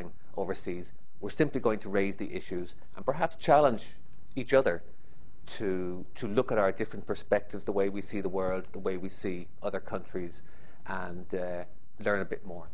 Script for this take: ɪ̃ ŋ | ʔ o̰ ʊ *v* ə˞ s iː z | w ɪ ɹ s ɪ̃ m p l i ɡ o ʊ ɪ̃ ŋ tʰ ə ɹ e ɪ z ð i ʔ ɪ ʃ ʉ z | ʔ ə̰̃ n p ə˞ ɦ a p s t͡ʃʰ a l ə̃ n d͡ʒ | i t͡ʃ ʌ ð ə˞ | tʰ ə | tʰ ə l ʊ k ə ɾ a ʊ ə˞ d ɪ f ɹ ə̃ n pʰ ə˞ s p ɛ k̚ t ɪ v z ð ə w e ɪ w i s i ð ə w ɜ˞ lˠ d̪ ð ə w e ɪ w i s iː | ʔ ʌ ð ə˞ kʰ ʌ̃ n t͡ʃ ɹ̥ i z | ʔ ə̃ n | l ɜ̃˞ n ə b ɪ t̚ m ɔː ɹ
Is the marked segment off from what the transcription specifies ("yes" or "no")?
no